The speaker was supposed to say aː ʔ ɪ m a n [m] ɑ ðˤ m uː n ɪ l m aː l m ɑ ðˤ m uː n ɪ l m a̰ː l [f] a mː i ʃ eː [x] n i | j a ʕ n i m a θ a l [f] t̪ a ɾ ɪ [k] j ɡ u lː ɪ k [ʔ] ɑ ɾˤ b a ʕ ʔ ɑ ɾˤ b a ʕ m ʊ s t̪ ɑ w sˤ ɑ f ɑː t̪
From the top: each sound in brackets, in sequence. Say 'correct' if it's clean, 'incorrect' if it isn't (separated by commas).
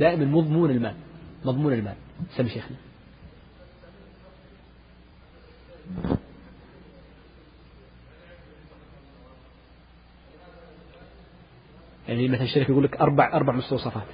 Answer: correct, incorrect, correct, incorrect, correct, correct